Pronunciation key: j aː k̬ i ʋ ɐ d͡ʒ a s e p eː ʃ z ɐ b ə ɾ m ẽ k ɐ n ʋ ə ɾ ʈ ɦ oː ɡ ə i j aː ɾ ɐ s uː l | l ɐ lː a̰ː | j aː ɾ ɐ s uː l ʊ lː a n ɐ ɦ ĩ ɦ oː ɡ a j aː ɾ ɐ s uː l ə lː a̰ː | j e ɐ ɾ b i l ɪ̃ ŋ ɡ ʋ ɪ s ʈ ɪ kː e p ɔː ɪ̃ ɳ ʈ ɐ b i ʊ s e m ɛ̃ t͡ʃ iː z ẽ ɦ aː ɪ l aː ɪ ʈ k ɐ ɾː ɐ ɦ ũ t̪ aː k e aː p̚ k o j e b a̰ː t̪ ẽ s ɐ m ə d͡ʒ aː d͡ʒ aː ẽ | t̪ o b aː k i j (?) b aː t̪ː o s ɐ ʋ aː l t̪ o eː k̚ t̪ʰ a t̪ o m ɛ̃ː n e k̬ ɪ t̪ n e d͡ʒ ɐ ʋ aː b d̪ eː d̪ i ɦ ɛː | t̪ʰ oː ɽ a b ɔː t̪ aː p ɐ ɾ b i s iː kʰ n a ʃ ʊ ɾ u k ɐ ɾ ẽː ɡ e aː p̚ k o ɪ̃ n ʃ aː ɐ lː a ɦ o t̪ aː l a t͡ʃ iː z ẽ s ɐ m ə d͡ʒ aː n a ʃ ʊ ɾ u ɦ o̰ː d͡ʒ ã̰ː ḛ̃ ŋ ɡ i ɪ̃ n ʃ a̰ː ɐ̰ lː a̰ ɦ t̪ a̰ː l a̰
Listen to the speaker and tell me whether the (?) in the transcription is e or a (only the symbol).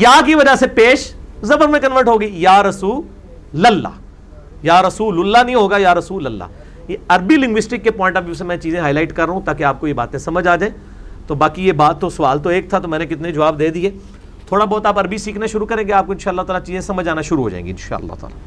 e